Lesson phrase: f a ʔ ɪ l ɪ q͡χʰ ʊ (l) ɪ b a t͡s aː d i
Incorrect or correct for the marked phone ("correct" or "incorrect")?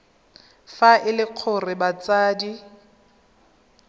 incorrect